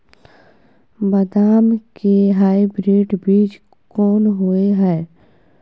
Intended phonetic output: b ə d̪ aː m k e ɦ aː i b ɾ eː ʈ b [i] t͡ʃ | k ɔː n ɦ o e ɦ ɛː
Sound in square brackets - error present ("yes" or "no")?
yes